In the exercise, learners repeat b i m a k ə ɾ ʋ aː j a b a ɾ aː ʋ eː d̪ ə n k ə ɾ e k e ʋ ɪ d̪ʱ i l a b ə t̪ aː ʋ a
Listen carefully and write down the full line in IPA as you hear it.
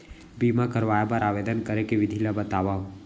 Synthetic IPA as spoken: b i m a k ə ɾ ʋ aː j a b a ɾ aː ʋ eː d̪ ə n k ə ɾ e k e ʋ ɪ d̪ʱ i l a b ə t̪ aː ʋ a

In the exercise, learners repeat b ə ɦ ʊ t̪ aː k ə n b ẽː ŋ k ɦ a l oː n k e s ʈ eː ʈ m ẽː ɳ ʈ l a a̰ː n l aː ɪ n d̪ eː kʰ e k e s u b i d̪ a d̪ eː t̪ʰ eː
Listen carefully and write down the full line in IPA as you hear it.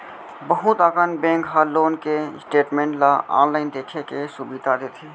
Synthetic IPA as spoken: b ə ɦ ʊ t̪ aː k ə n b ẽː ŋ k ɦ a l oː n k e s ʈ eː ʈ m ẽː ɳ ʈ l a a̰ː n l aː ɪ n d̪ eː kʰ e k e s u b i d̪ a d̪ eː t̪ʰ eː

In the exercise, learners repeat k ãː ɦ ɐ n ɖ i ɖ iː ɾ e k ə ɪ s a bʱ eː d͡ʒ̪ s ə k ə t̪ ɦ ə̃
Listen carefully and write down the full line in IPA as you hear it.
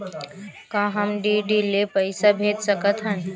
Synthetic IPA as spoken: k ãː ɦ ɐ m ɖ i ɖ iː l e p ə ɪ s a bʱ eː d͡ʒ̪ s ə k ə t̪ ɦ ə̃

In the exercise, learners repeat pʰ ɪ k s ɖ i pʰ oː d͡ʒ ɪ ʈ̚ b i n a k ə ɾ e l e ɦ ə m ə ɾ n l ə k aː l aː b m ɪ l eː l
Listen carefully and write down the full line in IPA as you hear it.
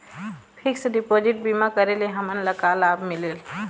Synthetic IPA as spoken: pʰ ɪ k s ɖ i p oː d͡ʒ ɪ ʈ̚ b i m a k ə ɾ e l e ɦ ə m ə n l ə k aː l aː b m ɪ l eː l

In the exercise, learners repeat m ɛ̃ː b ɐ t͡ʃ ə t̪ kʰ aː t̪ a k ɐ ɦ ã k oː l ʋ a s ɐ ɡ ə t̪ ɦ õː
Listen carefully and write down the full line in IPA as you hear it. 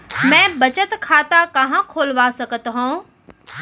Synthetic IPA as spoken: m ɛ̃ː b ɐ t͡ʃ ə t̪ kʰ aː t̪ a k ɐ ɦ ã kʰ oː l ʋ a s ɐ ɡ ə t̪ ɦ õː

